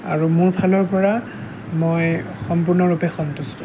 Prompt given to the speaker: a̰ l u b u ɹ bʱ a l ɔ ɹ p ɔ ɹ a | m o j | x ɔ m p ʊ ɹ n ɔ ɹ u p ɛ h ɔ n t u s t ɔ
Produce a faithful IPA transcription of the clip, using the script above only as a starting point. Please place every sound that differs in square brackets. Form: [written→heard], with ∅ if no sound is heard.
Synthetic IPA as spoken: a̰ [l→ɹ] u [b→m] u ɹ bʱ a l ɔ ɹ p ɔ ɹ a | m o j | x ɔ m p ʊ ɹ n ɔ ɹ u p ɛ [h→x] ɔ n t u s t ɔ